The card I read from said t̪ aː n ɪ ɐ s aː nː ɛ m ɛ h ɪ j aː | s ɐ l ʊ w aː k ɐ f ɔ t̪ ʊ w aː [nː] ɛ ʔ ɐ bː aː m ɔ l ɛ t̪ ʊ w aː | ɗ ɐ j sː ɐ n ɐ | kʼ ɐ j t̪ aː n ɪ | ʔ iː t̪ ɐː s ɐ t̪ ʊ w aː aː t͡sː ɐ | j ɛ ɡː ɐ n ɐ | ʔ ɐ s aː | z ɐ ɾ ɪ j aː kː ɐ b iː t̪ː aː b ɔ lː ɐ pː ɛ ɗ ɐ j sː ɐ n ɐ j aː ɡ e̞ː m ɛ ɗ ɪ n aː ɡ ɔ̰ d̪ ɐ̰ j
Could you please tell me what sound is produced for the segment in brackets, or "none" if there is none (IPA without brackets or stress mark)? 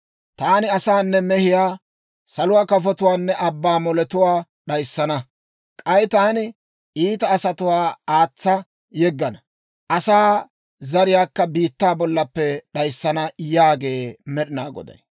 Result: nː